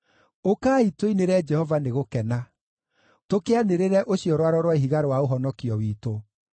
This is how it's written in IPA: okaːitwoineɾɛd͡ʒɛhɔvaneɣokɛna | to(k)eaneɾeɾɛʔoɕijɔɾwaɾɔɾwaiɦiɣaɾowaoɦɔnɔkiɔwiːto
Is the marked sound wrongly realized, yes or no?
no